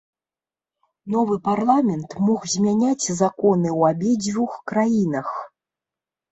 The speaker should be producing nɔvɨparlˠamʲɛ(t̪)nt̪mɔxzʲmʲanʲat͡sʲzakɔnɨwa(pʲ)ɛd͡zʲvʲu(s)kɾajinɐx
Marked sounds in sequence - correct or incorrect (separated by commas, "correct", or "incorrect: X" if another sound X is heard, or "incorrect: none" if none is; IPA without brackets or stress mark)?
incorrect: none, incorrect: bʲ, incorrect: x